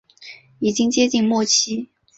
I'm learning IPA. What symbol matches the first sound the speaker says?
i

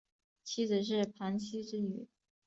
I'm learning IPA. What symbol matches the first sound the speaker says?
t͡ɕʰ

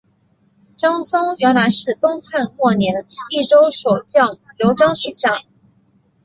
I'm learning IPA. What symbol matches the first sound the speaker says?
ʈ͡ʂ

